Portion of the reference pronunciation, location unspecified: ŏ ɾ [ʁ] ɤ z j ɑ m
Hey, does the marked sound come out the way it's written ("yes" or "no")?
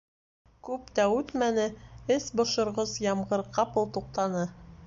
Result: yes